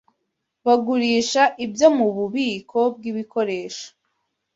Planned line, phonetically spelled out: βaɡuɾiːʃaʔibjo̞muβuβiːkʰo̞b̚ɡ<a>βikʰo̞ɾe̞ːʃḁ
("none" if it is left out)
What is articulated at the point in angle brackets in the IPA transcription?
i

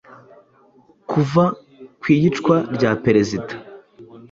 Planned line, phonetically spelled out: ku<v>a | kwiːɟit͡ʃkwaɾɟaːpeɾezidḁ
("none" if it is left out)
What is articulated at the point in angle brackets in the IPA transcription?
v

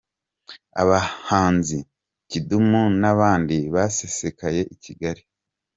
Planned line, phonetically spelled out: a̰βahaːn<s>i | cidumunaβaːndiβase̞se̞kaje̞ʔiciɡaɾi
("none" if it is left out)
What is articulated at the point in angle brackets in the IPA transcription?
z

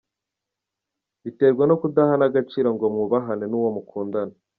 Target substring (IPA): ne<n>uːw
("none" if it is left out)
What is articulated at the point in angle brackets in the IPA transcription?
n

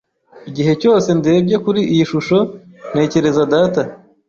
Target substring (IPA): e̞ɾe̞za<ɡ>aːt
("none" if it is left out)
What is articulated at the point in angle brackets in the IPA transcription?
d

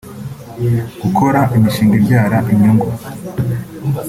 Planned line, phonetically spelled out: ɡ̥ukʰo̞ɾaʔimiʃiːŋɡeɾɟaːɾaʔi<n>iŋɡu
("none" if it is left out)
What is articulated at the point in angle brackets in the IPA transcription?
ɲ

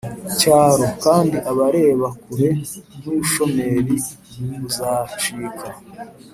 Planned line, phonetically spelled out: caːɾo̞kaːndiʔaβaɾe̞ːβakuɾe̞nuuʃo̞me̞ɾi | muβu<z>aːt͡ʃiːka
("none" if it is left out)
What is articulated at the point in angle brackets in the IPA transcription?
z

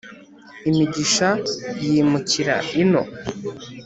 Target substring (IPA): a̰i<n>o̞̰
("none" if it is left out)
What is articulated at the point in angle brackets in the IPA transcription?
n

